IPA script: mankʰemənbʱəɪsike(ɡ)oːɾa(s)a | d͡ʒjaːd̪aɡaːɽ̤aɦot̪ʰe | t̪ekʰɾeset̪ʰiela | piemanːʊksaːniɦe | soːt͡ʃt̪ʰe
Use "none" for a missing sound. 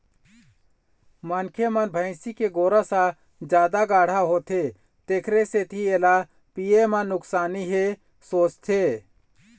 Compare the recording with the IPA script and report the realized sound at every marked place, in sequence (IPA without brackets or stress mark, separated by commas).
ɡ, s